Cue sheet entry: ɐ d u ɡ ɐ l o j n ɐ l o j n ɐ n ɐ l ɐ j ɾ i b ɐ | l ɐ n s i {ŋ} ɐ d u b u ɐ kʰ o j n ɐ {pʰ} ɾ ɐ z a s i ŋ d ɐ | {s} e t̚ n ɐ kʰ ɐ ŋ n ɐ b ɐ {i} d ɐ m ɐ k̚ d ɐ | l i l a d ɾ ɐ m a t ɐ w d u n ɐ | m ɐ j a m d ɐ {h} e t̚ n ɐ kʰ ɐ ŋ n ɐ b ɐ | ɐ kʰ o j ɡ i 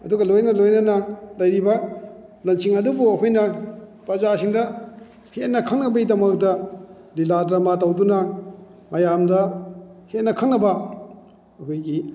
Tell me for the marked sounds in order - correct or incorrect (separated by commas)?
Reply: correct, incorrect, incorrect, correct, correct